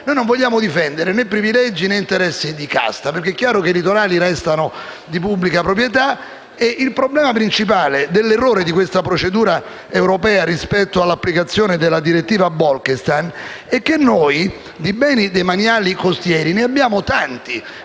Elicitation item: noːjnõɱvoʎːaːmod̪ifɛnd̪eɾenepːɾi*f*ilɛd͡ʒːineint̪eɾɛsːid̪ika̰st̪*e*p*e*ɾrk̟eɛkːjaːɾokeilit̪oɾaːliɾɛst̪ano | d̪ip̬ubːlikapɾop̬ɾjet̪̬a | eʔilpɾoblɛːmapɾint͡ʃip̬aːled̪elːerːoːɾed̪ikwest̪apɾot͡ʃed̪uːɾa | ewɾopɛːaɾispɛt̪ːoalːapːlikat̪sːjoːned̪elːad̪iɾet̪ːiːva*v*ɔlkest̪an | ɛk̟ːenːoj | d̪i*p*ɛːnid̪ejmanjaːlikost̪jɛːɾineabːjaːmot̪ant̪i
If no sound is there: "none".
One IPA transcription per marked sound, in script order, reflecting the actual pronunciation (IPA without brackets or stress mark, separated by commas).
v, a, e, b, b